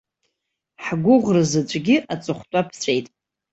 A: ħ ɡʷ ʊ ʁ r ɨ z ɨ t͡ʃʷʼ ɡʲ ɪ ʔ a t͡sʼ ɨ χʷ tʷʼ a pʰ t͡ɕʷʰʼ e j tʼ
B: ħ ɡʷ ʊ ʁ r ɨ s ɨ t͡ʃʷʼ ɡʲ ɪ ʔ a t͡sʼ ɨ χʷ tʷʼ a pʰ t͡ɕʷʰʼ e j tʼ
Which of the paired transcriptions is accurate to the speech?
A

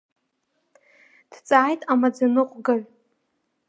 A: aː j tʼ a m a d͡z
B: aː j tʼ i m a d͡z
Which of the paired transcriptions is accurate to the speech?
A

